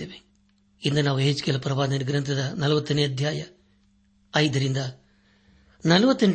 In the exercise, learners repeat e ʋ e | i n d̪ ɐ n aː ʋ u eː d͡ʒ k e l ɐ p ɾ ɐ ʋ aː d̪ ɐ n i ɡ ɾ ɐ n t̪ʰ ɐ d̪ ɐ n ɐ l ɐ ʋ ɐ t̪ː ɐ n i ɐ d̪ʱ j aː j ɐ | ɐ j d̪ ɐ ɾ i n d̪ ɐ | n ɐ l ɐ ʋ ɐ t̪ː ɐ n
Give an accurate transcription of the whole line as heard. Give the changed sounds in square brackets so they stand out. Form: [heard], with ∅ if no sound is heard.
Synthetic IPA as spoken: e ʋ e | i n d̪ ɐ n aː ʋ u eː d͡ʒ k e l ɐ p ɾ ɐ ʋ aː d̪ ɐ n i ɡ ɾ ɐ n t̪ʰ ɐ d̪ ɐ n ɐ l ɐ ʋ ɐ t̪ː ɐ n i ɐ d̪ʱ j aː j ɐ | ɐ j d̪ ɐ ɾ i n d̪ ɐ | n ɐ l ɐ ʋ ɐ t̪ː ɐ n